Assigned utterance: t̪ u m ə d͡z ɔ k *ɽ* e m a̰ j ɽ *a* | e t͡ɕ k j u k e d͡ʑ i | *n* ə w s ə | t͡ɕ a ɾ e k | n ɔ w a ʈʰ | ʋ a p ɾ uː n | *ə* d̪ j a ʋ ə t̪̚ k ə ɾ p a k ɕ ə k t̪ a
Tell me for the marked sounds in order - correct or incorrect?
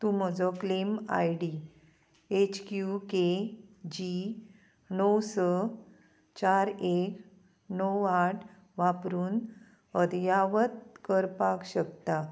incorrect: l, incorrect: i, correct, correct

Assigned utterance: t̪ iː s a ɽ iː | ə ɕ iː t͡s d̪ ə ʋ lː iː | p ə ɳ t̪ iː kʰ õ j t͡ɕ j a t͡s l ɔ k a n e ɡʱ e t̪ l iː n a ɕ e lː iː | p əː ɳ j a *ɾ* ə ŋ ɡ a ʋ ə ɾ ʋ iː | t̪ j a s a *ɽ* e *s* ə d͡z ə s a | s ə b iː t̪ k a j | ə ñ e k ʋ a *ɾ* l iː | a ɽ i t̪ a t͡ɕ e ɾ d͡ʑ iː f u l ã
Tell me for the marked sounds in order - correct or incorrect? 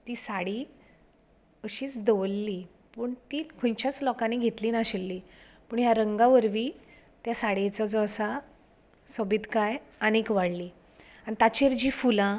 correct, correct, incorrect: t͡s, incorrect: ɽ

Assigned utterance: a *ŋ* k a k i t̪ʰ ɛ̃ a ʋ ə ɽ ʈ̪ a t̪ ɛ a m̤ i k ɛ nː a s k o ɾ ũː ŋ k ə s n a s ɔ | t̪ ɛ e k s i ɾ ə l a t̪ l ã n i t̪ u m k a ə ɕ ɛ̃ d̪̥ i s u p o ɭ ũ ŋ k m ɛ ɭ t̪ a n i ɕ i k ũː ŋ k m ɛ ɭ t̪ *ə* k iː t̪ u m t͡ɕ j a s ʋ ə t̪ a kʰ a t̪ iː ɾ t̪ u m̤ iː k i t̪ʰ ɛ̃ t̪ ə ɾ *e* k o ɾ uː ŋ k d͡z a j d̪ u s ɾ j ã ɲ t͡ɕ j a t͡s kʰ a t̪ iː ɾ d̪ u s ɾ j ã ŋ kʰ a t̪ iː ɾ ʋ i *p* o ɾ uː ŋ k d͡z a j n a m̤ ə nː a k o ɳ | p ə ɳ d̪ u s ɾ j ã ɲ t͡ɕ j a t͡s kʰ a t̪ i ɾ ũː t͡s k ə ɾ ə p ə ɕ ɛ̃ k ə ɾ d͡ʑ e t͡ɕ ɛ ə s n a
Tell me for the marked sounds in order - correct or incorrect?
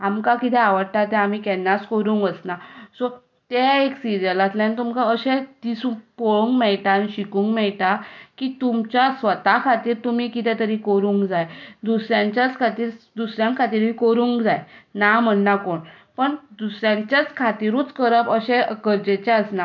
incorrect: m, incorrect: a, incorrect: i, incorrect: k

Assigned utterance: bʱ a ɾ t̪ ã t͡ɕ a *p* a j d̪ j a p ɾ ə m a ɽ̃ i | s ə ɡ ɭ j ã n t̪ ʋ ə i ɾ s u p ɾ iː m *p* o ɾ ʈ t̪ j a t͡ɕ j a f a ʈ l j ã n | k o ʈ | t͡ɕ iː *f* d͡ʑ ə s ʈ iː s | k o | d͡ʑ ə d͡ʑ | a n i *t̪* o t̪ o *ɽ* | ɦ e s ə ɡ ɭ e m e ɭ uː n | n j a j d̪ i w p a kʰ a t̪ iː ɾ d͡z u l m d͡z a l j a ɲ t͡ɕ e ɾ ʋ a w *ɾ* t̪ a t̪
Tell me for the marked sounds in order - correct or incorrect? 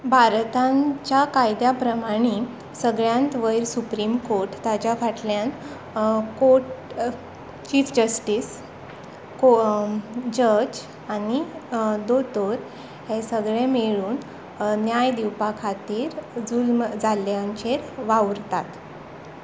incorrect: k, incorrect: k, correct, incorrect: d̪, incorrect: ɾ, correct

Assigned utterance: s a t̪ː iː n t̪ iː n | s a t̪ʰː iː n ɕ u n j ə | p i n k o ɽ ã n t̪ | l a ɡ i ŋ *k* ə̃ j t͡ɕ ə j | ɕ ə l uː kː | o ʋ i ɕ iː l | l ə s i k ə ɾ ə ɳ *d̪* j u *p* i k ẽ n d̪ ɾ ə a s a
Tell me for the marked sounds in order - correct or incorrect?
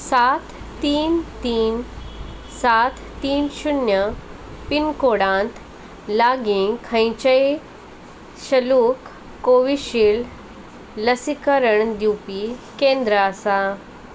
incorrect: kʰ, correct, correct

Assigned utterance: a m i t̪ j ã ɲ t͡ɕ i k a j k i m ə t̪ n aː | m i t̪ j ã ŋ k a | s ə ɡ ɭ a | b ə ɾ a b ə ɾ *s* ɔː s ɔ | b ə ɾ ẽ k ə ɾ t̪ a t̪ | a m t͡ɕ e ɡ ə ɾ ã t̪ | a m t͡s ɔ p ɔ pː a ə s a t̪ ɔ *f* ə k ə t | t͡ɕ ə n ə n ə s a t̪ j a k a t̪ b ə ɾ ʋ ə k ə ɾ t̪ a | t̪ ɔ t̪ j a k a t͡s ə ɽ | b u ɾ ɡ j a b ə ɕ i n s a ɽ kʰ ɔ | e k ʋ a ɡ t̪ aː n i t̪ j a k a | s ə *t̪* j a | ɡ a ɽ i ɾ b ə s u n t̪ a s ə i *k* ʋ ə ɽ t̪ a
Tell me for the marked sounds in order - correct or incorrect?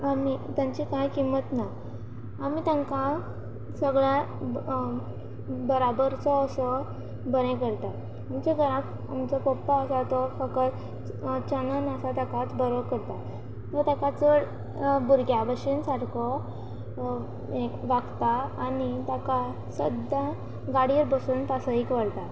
incorrect: t͡s, correct, incorrect: d̪, correct

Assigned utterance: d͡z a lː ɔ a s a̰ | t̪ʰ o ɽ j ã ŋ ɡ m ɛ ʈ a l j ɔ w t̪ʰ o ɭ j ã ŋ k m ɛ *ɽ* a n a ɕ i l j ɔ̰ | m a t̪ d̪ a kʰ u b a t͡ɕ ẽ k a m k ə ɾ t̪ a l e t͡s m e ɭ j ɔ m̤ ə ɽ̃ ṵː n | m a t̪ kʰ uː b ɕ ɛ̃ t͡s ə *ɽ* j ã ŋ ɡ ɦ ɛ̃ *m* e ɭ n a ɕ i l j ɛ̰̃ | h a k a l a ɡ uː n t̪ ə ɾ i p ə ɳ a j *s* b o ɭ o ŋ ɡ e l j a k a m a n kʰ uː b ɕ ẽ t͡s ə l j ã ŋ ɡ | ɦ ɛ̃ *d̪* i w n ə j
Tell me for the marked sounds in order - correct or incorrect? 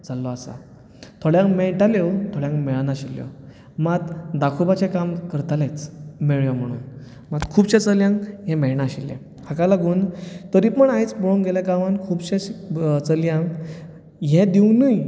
incorrect: ɭ, incorrect: l, correct, incorrect: t͡s, correct

